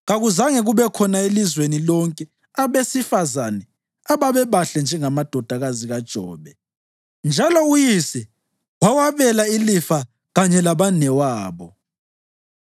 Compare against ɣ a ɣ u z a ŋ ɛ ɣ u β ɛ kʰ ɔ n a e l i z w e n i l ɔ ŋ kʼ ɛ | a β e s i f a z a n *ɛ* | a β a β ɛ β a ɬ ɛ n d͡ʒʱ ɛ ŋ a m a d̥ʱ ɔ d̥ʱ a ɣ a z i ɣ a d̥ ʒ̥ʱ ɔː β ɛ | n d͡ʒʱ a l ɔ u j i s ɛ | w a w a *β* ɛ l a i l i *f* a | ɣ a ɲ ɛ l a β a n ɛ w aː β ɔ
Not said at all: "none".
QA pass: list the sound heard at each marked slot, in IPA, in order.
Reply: ɛ, β, f

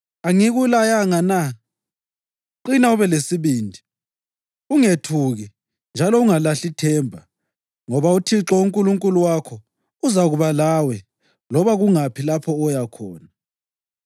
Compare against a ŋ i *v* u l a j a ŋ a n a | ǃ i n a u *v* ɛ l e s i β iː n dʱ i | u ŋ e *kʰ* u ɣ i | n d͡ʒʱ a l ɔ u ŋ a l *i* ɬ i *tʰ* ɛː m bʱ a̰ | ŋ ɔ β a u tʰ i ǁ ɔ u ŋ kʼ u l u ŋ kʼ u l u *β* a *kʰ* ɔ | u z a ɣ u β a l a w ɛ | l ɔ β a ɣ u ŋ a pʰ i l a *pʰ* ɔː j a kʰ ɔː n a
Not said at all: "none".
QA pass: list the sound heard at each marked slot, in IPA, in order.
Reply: ɣ, β, tʰ, a, tʰ, w, kʰ, pʰ

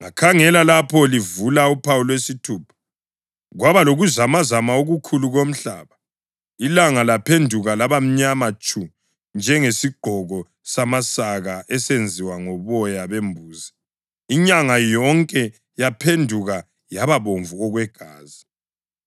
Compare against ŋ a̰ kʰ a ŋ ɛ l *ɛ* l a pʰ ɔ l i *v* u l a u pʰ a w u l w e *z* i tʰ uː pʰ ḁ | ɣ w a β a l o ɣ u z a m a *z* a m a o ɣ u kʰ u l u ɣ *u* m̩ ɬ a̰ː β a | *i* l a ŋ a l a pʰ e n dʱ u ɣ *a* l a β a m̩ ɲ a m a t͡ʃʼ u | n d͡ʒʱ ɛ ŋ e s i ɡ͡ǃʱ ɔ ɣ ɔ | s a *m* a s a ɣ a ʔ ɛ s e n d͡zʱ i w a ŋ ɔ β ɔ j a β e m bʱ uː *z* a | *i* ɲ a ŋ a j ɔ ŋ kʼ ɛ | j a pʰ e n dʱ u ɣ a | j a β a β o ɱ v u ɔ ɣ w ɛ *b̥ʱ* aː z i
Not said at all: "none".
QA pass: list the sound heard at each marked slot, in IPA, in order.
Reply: a, v, s, z, o, i, a, m, z, i, ɡ̥ʱ

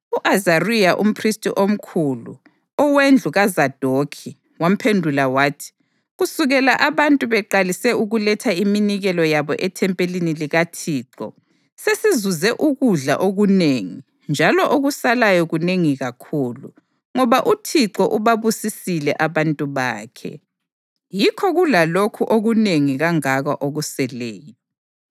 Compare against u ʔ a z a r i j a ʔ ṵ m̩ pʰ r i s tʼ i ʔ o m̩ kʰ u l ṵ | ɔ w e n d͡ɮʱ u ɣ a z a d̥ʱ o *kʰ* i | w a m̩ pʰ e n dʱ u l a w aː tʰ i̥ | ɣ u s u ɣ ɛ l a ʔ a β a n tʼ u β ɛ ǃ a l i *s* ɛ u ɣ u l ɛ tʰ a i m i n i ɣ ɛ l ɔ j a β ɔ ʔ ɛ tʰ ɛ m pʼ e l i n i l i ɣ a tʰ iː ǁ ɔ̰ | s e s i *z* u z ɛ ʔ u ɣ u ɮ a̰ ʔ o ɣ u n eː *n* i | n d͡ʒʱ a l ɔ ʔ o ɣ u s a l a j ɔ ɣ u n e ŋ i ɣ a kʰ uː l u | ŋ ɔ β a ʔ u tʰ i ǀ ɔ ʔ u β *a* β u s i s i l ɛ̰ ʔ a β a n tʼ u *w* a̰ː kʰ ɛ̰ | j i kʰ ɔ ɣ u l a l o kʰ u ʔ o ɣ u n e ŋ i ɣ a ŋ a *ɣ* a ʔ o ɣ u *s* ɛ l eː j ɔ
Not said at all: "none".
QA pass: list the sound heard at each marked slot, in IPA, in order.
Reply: kʰ, s, z, ŋ, a, β, ɣ, s

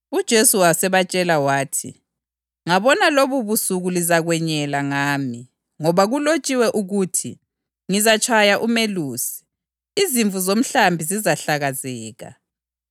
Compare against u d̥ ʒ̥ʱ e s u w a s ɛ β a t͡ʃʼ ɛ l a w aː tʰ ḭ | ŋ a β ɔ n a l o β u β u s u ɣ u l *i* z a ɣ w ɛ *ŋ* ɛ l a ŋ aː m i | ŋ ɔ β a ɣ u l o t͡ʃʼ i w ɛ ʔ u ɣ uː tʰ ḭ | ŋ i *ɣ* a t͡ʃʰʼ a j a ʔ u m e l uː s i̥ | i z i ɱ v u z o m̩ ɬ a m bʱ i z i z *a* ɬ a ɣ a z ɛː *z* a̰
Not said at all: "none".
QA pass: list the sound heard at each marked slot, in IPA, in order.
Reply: i, ɲ, z, a, ɣ

